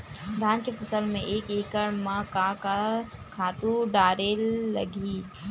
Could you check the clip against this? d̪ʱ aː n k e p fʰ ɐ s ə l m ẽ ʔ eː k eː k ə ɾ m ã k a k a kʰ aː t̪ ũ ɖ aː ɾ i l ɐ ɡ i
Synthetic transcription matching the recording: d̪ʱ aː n k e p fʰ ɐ s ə l m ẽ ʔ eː k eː k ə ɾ m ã k a k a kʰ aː t̪ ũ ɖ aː ɾ e l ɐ ɡ i